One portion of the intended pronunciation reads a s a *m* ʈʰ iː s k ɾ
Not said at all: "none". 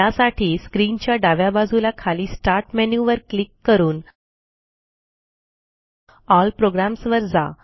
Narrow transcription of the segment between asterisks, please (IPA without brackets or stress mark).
none